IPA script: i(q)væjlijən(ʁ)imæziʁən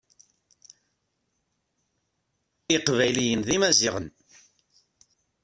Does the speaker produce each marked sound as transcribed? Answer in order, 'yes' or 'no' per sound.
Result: yes, no

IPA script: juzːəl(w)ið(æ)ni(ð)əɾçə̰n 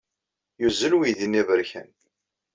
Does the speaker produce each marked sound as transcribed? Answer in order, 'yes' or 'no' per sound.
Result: yes, no, no

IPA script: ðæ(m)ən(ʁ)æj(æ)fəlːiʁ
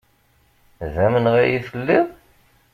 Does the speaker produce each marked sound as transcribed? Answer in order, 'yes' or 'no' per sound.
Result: yes, yes, no

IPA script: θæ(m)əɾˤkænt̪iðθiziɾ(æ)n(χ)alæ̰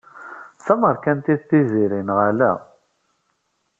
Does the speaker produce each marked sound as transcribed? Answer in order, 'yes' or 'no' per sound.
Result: yes, no, no

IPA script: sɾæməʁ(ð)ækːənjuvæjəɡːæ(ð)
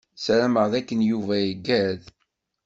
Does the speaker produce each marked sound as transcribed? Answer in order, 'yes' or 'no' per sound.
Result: yes, yes

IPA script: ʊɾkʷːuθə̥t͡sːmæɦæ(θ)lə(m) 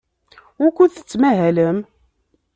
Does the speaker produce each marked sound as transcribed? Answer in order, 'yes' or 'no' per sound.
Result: no, yes

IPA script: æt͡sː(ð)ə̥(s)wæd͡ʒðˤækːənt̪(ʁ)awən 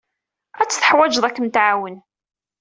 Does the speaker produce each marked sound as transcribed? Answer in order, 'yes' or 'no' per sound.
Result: no, no, no

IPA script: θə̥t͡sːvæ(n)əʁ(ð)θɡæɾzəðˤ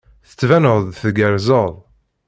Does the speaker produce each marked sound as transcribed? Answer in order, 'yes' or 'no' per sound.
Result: yes, yes

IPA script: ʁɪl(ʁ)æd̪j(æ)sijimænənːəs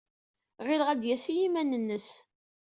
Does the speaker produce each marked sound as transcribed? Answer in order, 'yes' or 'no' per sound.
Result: yes, yes

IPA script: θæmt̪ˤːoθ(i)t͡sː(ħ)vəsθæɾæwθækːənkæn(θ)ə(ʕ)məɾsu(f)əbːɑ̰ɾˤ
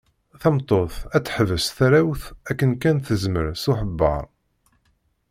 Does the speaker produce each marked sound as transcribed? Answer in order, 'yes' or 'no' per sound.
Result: no, yes, yes, no, no

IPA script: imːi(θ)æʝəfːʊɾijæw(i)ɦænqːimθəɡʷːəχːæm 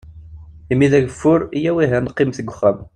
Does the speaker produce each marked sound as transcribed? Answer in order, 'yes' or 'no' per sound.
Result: no, yes

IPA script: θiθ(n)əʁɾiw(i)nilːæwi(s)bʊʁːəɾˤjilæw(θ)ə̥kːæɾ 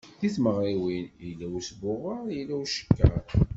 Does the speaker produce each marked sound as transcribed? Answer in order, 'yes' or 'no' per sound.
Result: no, yes, yes, no

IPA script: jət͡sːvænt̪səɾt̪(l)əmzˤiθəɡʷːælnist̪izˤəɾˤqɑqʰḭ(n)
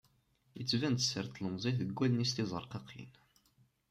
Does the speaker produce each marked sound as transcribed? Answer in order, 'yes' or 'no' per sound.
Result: yes, yes

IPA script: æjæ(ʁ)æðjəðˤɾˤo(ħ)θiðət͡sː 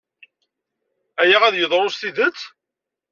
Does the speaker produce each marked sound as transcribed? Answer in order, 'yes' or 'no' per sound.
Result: yes, no

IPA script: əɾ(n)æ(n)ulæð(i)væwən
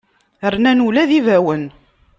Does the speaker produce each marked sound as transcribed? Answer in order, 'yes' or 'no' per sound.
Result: yes, yes, yes

